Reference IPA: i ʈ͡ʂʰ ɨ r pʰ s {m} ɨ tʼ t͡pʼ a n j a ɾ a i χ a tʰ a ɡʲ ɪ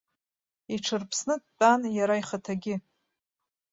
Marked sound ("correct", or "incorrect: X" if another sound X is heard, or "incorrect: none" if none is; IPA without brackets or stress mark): incorrect: n